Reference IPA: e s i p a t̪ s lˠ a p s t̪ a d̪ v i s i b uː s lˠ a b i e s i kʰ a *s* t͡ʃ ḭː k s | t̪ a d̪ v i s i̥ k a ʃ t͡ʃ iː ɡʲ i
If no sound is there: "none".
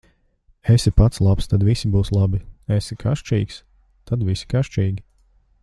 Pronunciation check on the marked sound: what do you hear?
ʃ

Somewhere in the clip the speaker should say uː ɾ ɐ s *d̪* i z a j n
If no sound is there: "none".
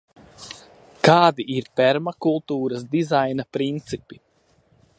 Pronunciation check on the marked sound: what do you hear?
d̪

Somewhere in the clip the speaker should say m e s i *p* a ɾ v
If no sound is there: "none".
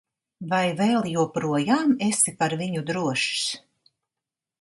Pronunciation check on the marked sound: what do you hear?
p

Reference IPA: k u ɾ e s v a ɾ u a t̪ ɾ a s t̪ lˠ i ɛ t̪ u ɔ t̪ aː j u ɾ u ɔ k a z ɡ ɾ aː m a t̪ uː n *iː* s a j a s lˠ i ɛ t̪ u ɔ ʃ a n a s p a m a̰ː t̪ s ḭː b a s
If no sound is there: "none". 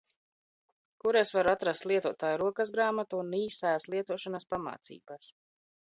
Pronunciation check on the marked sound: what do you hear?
iː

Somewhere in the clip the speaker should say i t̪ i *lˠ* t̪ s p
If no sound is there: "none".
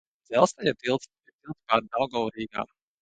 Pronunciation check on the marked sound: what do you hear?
lˠ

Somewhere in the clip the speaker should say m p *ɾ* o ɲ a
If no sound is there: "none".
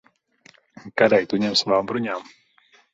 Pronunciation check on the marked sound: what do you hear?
ɾ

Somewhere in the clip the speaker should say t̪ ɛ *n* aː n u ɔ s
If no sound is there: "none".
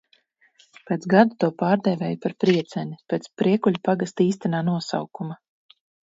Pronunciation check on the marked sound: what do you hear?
n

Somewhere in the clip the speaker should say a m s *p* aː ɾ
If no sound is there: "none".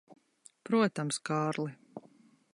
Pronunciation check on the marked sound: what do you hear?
k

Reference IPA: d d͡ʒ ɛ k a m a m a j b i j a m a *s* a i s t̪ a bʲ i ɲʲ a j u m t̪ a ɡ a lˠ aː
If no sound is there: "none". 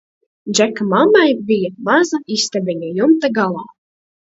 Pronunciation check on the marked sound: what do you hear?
z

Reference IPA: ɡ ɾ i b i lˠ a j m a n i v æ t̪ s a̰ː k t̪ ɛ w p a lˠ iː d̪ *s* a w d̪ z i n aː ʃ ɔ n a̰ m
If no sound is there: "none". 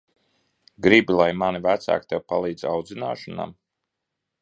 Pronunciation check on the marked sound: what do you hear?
z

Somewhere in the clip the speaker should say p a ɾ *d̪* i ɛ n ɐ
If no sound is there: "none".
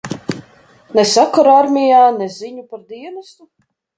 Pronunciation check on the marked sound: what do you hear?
d̪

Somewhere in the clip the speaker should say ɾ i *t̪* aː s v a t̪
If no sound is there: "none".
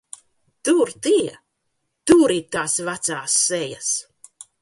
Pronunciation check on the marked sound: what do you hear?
t̪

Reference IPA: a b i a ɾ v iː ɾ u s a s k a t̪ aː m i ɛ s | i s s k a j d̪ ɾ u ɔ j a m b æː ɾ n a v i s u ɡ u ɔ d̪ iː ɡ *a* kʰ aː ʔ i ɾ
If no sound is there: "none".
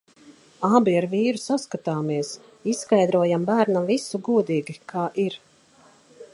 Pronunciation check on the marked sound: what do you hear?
i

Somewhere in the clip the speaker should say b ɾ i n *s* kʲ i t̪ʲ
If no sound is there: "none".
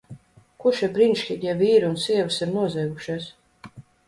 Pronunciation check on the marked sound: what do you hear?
ʃ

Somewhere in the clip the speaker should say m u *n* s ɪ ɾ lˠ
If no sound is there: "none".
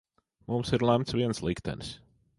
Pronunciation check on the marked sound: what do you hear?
m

